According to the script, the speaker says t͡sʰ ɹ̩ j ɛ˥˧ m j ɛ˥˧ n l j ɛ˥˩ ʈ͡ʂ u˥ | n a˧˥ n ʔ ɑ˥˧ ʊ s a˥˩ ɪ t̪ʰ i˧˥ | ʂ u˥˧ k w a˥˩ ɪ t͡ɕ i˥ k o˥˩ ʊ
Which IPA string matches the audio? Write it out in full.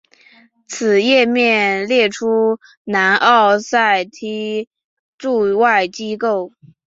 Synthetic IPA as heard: t͡sʰ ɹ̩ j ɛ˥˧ m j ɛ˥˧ n l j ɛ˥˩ ʈ͡ʂʰ u˥ | n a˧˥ n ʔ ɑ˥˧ ʊ s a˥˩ ɪ t̪ʰ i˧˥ | ʈ͡ʂ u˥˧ w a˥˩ ɪ t͡ɕ i˥ k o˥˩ ʊ